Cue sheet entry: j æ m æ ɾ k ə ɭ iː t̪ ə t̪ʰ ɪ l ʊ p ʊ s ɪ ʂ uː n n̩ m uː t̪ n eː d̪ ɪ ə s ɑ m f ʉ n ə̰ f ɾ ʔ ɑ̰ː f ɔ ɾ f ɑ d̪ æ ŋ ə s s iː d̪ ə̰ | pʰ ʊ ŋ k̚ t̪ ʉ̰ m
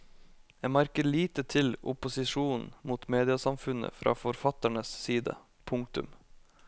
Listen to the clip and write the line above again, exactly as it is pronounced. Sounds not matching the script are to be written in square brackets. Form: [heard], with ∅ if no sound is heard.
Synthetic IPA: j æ m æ ɾ k ə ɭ iː t̪ ə t̪ʰ ɪ l ʊ p ʊ s ɪ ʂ uː n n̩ m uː t̪ [m] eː d̪ ɪ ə s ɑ m f ʉ n ə̰ f ɾ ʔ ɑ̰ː f ɔ ɾ f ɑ [t̪] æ [ɳ] ə s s iː d̪ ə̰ | pʰ ʊ ŋ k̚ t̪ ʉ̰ m